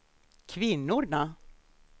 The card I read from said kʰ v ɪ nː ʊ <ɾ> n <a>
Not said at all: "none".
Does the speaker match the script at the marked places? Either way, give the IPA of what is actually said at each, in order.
ɾ, a

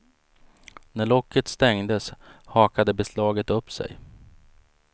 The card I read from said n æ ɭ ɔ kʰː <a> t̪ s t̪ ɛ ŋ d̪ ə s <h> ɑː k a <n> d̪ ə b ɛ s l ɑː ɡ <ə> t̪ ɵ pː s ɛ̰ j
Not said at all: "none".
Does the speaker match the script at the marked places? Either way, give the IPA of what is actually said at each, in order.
ə, h, none, ə

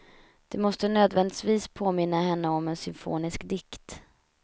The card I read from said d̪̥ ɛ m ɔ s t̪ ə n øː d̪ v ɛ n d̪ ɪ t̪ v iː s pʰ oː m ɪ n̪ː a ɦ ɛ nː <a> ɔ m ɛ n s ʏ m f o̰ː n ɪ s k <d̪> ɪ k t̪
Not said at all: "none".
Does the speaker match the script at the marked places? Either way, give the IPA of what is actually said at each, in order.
ə, d̪

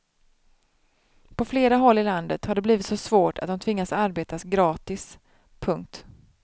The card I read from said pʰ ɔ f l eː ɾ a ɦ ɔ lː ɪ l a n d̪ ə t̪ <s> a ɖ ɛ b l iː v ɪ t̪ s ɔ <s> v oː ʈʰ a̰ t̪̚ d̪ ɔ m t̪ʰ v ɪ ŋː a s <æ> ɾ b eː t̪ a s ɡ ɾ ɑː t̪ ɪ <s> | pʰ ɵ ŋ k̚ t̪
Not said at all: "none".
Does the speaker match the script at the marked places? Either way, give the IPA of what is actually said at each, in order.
h, s, a, s

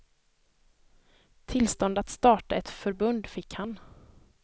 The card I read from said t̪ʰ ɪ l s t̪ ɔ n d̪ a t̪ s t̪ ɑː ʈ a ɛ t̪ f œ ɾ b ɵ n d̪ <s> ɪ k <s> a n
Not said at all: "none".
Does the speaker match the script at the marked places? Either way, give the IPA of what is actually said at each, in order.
f, h

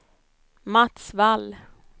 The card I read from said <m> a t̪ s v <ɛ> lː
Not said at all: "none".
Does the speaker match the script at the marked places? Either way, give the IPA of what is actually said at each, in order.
m, a

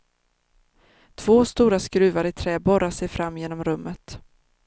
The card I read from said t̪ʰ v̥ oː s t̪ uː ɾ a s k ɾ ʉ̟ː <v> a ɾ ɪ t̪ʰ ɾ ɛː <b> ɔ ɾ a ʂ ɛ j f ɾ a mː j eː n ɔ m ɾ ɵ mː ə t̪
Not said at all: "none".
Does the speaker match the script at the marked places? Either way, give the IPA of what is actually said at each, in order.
v, b

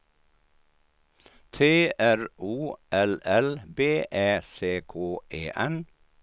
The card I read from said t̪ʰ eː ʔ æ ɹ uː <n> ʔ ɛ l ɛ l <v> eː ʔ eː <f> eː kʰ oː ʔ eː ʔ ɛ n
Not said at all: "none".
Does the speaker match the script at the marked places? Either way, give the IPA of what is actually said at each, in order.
none, b, s

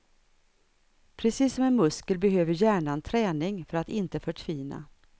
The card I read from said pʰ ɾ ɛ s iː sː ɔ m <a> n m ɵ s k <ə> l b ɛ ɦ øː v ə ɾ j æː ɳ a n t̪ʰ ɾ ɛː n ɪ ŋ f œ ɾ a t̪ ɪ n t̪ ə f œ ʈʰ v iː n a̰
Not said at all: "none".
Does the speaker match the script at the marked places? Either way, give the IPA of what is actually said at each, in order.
ɛ, ə

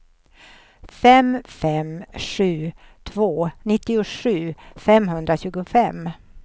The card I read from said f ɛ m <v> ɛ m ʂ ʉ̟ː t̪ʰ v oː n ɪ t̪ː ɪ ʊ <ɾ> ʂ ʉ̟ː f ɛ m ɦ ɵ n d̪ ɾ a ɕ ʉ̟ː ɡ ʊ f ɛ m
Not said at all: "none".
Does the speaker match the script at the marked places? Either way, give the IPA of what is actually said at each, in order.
f, none

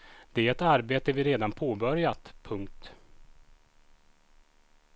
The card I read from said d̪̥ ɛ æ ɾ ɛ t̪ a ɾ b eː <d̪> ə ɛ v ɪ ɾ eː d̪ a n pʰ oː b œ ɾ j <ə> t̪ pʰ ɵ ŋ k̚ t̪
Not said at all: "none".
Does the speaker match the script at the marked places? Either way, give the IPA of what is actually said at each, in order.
t̪, a

